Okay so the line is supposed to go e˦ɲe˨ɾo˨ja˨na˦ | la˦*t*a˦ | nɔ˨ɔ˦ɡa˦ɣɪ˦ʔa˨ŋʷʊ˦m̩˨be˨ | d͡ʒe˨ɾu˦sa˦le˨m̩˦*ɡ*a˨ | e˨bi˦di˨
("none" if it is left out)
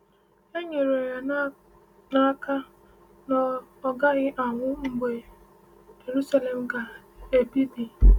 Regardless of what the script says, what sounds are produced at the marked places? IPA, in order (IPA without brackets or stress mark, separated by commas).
k, ɡ